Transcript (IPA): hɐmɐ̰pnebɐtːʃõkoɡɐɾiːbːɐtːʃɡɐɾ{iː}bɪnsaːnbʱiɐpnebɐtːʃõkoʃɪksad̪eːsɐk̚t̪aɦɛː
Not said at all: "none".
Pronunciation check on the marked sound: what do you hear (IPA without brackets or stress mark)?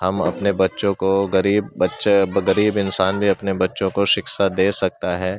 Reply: iː